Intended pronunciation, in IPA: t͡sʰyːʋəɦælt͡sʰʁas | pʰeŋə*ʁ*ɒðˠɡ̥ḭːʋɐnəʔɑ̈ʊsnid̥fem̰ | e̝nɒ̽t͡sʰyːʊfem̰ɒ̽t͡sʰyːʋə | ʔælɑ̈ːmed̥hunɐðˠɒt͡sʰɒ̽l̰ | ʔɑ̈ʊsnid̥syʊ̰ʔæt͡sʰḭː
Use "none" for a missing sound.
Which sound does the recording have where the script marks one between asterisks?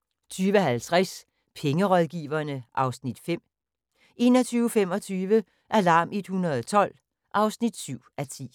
ʁ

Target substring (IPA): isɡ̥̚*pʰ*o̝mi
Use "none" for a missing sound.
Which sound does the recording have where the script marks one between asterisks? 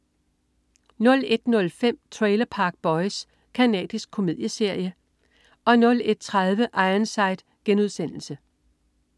kʰ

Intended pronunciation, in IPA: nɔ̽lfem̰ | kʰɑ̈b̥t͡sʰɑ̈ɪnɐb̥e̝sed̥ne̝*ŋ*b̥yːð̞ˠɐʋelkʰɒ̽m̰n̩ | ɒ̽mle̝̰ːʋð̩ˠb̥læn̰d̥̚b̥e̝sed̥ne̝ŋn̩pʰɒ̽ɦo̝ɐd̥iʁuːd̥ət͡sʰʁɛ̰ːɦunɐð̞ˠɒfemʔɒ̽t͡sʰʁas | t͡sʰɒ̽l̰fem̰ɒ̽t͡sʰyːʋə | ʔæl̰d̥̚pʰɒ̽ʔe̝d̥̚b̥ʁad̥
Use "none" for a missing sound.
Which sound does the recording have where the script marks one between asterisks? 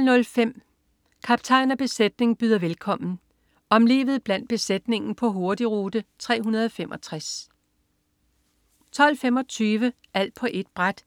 ŋ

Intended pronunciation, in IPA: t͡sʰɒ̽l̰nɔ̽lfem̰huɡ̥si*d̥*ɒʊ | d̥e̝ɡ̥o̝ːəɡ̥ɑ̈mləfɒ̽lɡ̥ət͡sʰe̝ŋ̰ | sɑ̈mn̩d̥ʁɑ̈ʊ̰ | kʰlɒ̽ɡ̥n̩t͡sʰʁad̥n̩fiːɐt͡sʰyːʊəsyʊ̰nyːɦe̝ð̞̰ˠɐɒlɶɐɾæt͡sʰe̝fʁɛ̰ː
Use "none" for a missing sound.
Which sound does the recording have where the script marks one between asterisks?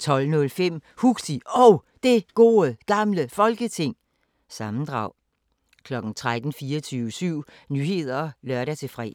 none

